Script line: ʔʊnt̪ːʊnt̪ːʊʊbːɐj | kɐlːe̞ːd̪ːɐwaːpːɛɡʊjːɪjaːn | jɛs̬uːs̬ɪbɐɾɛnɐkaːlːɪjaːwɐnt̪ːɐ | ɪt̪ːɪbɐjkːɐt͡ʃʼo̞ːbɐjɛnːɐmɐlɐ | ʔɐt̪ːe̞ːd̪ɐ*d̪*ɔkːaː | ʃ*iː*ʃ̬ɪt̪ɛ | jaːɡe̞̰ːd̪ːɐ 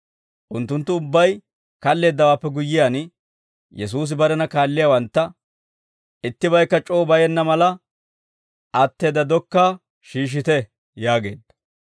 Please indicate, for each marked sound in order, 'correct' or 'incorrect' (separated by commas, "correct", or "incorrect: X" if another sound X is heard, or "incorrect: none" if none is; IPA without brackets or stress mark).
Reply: correct, correct